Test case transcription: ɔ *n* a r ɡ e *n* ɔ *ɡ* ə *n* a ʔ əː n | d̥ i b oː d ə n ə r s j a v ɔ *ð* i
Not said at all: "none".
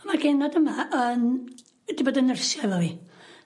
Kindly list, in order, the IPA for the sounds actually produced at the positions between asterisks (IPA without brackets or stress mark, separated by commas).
m, n, d, m, v